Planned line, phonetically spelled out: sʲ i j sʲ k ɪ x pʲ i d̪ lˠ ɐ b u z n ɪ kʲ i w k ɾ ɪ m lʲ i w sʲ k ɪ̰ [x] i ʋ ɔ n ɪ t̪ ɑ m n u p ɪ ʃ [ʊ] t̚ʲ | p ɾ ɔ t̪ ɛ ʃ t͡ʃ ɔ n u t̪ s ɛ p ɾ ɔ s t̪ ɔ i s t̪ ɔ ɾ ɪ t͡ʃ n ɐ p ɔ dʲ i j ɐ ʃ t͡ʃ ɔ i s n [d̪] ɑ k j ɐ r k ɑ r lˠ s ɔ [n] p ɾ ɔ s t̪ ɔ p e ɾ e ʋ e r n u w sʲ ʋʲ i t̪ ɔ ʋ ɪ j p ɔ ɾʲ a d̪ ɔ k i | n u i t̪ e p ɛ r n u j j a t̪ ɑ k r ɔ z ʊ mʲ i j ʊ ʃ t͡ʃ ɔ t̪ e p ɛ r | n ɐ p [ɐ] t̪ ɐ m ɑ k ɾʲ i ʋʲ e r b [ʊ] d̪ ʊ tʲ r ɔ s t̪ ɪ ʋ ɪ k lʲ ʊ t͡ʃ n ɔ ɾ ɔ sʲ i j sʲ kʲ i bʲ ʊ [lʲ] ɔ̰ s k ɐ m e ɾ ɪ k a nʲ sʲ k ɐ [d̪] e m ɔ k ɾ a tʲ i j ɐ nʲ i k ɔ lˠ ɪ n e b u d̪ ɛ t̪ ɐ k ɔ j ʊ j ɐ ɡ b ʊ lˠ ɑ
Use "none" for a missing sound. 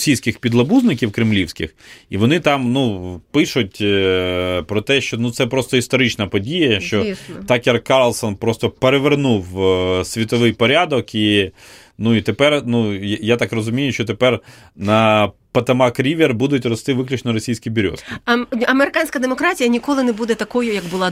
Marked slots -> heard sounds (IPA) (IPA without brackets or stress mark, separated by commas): x, ʊ, t̪, n, ɐ, u, ɾʲ, d̪